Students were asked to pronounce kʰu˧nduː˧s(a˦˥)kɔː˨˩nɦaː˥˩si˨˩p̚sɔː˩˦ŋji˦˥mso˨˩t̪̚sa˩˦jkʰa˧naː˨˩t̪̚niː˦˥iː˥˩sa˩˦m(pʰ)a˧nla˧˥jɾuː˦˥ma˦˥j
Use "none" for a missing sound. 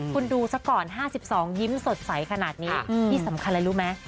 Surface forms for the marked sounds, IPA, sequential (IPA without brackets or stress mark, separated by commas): a˦˥, kʰ